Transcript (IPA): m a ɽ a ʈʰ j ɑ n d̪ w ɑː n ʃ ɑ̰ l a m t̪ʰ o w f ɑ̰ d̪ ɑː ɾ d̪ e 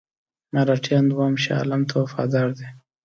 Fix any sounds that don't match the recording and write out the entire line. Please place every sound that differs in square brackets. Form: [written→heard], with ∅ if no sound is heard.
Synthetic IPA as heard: m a [ɽ→ɾ] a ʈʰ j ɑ n d̪ w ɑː [n→m] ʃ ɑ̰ l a m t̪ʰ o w f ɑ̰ d̪ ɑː ɾ d̪ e